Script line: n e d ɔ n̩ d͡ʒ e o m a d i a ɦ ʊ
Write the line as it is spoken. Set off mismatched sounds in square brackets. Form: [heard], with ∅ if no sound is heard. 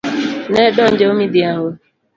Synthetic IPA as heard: n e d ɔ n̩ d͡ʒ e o m [i] d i a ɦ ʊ